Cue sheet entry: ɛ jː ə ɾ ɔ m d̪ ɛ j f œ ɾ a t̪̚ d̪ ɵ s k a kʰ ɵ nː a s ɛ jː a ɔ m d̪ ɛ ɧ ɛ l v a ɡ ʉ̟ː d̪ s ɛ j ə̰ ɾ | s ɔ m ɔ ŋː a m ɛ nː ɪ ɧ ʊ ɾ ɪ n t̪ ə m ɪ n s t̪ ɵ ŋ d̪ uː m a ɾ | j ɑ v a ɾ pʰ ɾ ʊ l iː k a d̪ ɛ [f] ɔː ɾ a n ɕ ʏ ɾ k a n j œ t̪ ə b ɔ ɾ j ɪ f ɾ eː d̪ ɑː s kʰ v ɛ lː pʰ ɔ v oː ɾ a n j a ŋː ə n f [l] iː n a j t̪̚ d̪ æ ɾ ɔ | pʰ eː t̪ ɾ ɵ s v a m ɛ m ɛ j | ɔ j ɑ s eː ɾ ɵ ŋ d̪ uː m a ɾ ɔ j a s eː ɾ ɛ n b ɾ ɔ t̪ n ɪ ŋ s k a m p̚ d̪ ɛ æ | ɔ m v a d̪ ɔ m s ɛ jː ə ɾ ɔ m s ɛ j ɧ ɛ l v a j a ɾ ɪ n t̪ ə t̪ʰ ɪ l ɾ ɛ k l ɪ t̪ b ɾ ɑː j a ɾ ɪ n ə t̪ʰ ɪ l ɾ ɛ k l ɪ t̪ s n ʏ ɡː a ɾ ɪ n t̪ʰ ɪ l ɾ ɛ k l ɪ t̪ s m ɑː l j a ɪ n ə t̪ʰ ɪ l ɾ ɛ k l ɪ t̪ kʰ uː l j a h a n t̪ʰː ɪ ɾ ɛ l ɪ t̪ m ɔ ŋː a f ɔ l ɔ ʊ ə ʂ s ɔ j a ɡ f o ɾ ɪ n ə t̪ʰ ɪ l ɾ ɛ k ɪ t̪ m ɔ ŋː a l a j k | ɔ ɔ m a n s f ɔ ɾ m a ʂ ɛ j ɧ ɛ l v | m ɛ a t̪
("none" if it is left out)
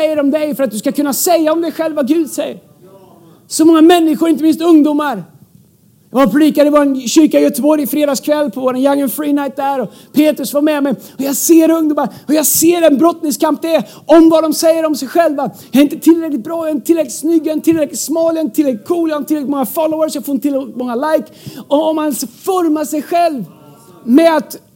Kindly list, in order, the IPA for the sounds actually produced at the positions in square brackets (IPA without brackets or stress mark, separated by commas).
v, ɾ